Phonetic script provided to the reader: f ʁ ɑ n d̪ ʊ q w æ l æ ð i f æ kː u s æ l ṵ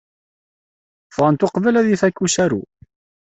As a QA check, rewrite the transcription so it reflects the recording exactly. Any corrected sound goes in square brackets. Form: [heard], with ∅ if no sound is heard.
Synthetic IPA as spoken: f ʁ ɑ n [t̪] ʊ q [v] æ l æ ð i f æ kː u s æ [ɾ] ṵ